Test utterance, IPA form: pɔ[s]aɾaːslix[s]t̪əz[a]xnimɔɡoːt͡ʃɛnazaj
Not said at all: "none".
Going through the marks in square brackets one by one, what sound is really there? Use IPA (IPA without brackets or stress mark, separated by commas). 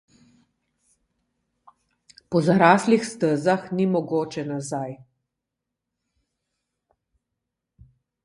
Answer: z, s, a